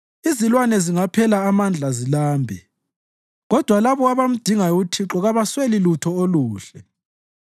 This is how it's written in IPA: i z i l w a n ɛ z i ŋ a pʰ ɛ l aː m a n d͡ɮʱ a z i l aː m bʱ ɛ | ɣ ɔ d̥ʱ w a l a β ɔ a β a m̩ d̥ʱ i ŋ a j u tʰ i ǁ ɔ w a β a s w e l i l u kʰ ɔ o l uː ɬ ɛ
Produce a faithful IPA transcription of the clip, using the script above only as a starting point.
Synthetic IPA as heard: i z i l w a n ɛ z i ŋ a pʰ ɛ l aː m a n d͡ɮʱ a z i l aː m bʱ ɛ | ɣ ɔ d̥ʱ w a l a β ɔ a β a m̩ d̥ʱ i ŋ a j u tʰ i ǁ ɔ ɣ a β a s w e l i l u tʰ ɔ o l uː ɬ ɛ